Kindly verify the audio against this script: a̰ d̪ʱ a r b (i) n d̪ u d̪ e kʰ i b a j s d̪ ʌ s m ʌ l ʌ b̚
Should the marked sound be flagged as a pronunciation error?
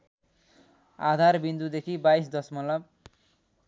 no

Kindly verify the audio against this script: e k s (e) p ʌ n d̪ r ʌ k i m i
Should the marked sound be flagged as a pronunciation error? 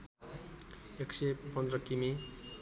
no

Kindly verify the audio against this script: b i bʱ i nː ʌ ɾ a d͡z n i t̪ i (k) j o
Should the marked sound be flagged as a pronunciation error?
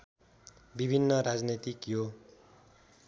no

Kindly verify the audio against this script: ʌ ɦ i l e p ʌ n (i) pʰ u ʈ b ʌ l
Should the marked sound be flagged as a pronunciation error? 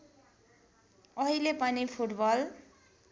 no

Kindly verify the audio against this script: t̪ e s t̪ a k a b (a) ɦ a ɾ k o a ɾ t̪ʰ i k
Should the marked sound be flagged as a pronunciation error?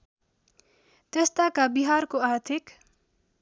yes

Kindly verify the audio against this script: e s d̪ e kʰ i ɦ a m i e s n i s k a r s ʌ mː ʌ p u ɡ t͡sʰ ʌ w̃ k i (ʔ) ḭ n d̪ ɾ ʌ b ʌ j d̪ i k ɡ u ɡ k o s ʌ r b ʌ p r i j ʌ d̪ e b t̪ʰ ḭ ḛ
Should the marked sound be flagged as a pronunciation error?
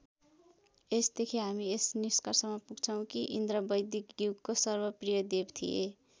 no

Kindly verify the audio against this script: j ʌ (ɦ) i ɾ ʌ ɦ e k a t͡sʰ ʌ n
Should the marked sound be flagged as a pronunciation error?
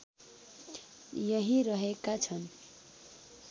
no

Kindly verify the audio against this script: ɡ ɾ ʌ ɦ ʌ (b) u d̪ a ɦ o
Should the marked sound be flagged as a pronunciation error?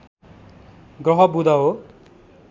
no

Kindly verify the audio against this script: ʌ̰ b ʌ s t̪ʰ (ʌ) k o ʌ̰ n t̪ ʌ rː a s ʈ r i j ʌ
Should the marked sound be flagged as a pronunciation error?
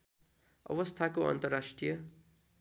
yes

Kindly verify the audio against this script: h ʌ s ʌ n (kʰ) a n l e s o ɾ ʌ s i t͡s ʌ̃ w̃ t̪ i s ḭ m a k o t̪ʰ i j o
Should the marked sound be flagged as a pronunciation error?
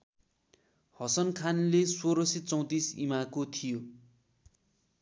no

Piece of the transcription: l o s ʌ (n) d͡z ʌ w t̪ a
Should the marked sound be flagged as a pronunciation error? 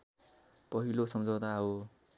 yes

